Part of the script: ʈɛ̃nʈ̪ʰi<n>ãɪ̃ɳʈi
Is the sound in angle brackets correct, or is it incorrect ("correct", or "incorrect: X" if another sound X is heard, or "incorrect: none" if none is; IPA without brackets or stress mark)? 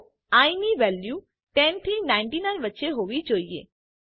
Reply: correct